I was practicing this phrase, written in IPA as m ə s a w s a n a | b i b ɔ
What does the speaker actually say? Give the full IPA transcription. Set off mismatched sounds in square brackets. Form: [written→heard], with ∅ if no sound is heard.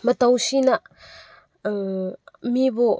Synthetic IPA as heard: m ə [s→t] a w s [a→i] n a | [b→m] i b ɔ